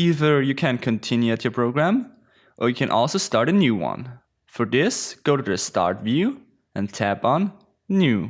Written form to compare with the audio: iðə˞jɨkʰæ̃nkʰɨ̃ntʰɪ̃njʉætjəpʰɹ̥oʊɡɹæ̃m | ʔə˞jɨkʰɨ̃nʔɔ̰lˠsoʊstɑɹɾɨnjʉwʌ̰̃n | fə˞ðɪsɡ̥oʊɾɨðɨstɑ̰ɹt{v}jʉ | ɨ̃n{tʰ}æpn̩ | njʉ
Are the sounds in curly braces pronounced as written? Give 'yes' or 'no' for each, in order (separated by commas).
yes, yes